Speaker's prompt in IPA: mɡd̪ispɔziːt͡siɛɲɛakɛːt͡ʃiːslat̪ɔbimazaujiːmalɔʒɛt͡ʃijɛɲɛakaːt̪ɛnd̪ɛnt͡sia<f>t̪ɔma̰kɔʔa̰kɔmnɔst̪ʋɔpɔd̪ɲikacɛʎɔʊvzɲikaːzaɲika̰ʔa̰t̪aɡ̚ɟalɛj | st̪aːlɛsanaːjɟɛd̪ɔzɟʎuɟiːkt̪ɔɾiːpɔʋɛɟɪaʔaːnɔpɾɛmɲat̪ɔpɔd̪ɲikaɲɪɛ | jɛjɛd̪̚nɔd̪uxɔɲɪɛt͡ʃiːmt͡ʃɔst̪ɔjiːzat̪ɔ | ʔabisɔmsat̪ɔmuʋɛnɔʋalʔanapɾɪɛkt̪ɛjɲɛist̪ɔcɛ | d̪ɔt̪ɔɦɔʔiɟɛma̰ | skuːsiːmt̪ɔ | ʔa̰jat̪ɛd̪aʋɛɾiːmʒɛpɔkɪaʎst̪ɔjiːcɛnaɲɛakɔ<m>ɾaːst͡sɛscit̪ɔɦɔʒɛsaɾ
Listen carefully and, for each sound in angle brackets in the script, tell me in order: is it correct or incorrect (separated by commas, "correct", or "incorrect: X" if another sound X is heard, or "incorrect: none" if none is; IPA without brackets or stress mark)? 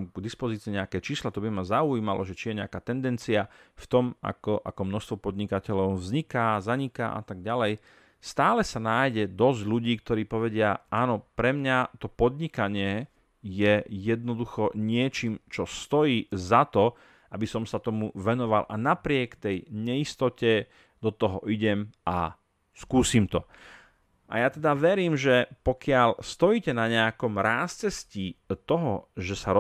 correct, correct